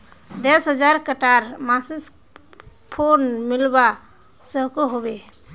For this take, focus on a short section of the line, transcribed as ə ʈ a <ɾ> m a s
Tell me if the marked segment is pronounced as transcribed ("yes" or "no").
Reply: yes